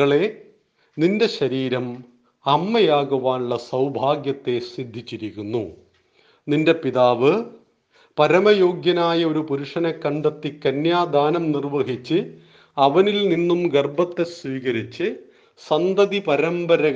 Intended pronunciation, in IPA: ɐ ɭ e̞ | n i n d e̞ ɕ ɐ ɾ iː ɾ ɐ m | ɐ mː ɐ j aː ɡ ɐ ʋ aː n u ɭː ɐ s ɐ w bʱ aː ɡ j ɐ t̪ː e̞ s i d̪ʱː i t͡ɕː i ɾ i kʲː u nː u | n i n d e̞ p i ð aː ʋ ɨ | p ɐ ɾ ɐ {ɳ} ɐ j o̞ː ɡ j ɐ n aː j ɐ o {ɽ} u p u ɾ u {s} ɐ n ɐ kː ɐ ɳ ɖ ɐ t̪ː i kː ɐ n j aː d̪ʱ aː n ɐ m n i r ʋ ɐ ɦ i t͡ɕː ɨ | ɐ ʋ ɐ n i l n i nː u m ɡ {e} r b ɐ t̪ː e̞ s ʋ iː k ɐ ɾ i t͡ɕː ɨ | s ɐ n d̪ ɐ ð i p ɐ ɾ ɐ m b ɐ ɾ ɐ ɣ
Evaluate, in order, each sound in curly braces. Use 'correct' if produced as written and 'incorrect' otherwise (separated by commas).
incorrect, incorrect, incorrect, correct